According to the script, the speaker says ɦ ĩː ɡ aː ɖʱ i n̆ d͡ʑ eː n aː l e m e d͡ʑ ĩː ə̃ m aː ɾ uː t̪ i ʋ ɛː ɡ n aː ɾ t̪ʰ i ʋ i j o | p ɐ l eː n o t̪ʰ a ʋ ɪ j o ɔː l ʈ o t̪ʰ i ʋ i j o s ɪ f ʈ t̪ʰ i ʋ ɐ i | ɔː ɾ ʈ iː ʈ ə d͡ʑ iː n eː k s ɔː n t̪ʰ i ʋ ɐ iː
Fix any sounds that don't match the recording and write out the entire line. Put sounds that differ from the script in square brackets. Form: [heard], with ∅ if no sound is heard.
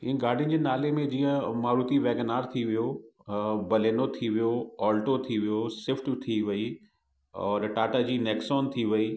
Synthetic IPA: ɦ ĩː ɡ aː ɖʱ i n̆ d͡ʑ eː n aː l e m [ẽ] d͡ʑ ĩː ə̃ m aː ɾ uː t̪ i ʋ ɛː ɡ n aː ɾ t̪ʰ i ʋ i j o | [b] ɐ l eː n o t̪ʰ [i] ʋ [i] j o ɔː l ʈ o t̪ʰ i ʋ i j o s ɪ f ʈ t̪ʰ i ʋ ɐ i | ɔː ɾ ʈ [aː] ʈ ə d͡ʑ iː n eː k s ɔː n t̪ʰ i ʋ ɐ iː

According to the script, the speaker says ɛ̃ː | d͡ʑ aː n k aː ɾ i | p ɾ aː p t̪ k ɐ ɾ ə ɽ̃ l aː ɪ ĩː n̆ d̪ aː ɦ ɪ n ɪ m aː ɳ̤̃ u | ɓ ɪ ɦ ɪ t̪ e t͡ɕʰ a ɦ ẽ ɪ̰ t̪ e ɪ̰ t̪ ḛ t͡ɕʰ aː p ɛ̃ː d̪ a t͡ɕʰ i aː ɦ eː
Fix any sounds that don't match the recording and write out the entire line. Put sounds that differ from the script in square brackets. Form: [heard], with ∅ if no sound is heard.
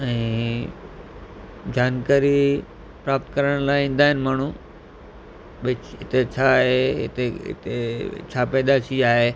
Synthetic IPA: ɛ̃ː | d͡ʑ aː n k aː ɾ i | p ɾ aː p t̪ k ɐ ɾ ə ɽ̃ l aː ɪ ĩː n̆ d̪ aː ɦ ɪ n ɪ m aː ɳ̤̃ u | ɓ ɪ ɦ ɪ t̪ e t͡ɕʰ a ɦ [e] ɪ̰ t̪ e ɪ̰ t̪ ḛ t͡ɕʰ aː p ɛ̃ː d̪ a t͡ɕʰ i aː ɦ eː

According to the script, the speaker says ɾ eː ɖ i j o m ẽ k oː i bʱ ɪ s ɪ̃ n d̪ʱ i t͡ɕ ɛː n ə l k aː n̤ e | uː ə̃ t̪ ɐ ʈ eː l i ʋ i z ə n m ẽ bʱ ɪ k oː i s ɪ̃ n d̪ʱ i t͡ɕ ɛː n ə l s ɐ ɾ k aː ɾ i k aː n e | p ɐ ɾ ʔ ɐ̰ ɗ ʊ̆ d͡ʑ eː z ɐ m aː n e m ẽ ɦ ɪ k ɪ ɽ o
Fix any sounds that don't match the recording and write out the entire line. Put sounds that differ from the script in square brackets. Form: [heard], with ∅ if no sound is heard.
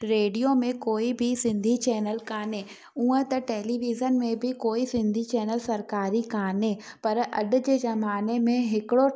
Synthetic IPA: ɾ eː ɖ i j o m ẽ k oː i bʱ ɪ s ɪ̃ n d̪ʱ i t͡ɕ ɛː n ə l k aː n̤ e | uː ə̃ t̪ ɐ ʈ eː l i ʋ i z ə n m ẽ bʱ ɪ k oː i s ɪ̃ n d̪ʱ i t͡ɕ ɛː n ə l s ɐ ɾ k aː ɾ i k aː n e | p ɐ ɾ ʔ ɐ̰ ɗ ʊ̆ d͡ʑ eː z ɐ m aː n e m ẽ ɦ ɪ k ɪ ɽ o

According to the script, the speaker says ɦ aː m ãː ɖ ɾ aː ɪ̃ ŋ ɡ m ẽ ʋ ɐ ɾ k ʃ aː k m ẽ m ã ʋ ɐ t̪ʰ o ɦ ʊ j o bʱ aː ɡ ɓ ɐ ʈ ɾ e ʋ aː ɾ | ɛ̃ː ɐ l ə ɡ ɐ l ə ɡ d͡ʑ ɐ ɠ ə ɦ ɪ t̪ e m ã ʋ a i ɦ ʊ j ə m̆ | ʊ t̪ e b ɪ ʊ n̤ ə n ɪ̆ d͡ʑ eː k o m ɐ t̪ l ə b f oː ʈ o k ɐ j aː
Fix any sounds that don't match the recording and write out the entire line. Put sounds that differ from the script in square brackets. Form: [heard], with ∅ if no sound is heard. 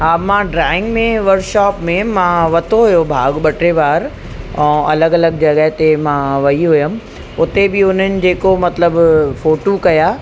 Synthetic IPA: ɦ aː m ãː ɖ ɾ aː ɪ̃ ŋ ɡ m ẽ ʋ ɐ ɾ k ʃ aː [p] m ẽ m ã ʋ ɐ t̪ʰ o ɦ ʊ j o bʱ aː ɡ ɓ ɐ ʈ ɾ e ʋ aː ɾ | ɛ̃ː ɐ l ə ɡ ɐ l ə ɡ d͡ʑ ɐ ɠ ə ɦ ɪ t̪ e m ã ʋ [ɐ] i ɦ ʊ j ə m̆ | ʊ t̪ e b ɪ ʊ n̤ ə n ɪ̆ d͡ʑ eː k o m ɐ t̪ l ə b f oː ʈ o k ɐ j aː

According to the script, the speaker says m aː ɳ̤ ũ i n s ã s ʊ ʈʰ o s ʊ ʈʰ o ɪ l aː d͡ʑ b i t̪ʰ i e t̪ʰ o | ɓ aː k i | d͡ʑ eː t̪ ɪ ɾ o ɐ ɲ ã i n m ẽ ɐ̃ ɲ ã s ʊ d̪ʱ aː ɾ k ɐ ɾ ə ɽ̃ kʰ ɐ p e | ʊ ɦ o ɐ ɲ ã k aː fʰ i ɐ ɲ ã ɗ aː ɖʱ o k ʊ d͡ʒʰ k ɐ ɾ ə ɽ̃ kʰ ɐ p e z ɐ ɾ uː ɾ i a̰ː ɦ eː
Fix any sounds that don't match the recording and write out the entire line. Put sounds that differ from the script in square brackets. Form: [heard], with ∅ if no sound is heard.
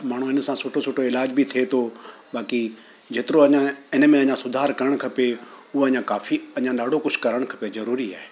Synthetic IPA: m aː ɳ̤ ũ [ɪ] n s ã s ʊ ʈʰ o s ʊ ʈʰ o ɪ l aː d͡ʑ b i t̪ʰ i e t̪ʰ o | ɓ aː k i | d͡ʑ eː t̪ ɪ ɾ o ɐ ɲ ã [ɪ] n m ẽ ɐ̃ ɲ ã s ʊ d̪ʱ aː ɾ k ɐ ɾ ə ɽ̃ kʰ ɐ p e | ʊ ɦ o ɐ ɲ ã k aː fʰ i ɐ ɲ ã ɗ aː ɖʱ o k ʊ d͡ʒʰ k ɐ ɾ ə ɽ̃ kʰ ɐ p e z ɐ ɾ uː ɾ i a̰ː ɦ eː

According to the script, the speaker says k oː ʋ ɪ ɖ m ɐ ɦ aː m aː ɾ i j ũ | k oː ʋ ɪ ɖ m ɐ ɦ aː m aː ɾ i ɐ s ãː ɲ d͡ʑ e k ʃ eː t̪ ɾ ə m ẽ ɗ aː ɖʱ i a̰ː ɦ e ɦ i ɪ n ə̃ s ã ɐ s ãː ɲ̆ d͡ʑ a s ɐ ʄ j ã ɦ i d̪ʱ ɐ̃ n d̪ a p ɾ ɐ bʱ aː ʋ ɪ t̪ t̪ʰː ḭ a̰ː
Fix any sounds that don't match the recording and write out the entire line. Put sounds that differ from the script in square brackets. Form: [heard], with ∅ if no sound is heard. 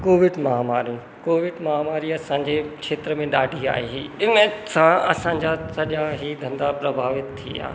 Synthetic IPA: k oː ʋ ɪ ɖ m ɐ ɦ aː m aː ɾ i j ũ | k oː ʋ ɪ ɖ m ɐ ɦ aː m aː ɾ i ɐ s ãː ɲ d͡ʑ e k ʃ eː t̪ ɾ ə m ẽ ɗ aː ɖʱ i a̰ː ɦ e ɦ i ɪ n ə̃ s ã ɐ s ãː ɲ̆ d͡ʑ a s ɐ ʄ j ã ɦ i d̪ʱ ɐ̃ n d̪ a p ɾ ɐ bʱ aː ʋ ɪ t̪ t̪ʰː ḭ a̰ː

